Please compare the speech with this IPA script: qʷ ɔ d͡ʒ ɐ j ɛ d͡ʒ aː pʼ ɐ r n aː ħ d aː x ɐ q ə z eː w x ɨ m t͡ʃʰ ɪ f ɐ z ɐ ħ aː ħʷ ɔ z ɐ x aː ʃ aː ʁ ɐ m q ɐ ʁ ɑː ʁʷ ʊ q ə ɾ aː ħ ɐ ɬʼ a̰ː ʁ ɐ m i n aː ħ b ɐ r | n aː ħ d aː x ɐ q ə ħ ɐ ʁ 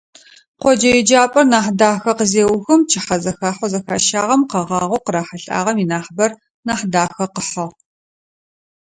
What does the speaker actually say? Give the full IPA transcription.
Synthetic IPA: qʷ ɔ d͡ʒ ɐ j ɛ d͡ʒ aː pʼ ɐ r n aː ħ d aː x ɐ q ə z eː w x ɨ m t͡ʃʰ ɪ ħ ɐ z ɐ x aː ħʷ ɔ z ɐ x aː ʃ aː ʁ ɐ m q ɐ ʁ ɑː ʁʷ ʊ q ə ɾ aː ħ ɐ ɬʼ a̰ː ʁ ɐ m i n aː ħ b ɐ r | n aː ħ d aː x ɐ q ə ħ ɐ ʁ